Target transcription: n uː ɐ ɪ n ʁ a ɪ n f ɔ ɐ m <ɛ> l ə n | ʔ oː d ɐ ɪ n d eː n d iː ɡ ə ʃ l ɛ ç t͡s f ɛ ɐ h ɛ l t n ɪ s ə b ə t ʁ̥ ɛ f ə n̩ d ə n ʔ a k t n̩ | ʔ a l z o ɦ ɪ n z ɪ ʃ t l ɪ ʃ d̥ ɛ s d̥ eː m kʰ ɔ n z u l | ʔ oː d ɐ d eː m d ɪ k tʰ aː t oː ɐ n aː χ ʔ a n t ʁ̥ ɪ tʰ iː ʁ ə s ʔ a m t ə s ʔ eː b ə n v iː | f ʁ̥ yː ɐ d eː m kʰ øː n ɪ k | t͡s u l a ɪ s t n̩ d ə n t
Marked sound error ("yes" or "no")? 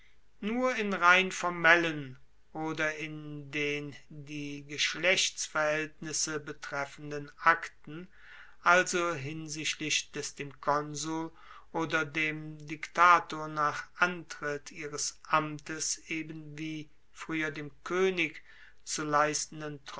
no